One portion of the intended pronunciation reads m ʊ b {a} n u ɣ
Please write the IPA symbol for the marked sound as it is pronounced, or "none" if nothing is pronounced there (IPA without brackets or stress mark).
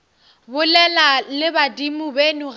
e